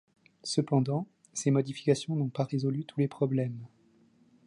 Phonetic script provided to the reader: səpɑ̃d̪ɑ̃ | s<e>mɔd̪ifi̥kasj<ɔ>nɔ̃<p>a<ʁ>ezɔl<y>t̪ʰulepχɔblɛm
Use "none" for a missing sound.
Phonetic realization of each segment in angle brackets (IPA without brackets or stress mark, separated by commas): e, ɔ̃, p, ʁ, y